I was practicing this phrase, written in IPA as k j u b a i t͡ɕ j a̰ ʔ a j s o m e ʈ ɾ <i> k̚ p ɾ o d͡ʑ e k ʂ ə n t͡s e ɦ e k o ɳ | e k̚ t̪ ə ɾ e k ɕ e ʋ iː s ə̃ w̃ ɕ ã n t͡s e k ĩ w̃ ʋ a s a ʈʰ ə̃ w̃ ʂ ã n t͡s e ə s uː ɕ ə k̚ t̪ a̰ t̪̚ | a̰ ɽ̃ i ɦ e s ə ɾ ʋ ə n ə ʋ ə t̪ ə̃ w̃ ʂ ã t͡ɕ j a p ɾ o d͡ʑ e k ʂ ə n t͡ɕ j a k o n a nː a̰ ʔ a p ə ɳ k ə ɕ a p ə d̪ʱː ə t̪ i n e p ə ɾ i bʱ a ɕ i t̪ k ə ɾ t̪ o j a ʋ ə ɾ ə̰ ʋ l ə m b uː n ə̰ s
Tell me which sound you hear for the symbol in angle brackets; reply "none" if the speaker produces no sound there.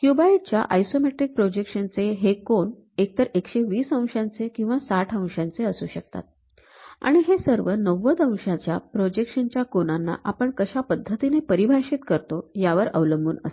i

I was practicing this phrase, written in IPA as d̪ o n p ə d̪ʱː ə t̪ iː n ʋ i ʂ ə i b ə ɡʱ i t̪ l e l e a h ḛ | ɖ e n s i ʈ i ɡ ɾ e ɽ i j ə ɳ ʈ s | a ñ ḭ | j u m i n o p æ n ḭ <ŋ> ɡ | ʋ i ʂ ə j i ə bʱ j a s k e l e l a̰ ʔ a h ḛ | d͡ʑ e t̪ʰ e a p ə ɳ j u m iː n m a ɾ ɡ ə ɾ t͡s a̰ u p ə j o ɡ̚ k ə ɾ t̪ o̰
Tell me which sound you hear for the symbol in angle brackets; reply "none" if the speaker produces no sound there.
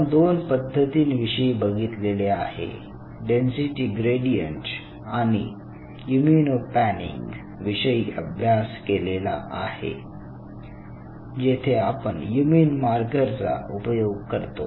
ŋ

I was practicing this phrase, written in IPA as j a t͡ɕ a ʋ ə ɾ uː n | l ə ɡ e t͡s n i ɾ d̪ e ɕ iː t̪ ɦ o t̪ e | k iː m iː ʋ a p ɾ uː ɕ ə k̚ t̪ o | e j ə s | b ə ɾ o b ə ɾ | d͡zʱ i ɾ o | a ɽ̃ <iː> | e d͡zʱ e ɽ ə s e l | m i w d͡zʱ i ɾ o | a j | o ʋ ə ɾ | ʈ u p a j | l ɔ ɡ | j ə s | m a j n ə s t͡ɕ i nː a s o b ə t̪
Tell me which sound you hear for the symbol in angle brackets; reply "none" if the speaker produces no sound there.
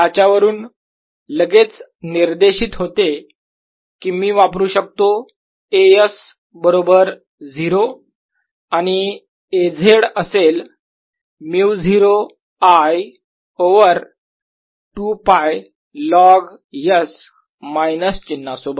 i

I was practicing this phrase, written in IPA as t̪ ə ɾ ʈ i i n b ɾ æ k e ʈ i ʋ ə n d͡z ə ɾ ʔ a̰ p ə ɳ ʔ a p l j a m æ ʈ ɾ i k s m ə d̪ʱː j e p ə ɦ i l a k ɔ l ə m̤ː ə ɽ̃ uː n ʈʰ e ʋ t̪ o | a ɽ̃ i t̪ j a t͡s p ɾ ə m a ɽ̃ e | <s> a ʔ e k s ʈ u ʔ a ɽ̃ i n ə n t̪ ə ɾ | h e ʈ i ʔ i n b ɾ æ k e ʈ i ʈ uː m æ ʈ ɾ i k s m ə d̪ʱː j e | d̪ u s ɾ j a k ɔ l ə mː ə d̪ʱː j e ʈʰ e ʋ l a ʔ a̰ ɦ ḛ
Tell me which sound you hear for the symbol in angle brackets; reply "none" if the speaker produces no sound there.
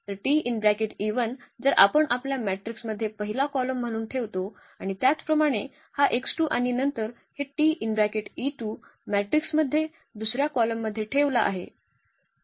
h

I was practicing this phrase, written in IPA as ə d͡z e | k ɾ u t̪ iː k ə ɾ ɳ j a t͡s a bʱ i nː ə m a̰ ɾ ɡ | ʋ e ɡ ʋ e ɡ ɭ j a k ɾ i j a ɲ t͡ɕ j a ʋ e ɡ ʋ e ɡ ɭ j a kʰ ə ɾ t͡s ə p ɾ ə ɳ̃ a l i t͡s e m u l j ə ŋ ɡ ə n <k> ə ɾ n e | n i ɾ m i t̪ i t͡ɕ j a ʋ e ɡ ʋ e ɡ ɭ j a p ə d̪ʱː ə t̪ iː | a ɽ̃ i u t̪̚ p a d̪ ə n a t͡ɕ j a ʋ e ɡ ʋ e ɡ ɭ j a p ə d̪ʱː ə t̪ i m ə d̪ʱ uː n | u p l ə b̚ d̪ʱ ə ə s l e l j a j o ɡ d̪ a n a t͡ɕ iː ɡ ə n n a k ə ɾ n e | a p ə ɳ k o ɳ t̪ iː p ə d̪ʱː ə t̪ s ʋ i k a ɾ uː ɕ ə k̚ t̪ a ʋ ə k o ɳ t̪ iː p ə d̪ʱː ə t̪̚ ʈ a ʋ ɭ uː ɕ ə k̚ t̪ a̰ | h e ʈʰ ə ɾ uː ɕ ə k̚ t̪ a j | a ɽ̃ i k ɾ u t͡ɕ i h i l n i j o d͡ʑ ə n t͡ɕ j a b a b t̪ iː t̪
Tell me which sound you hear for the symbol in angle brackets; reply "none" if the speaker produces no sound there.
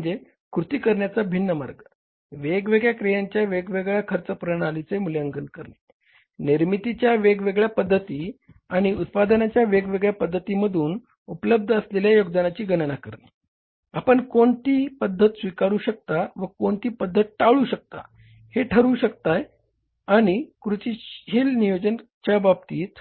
k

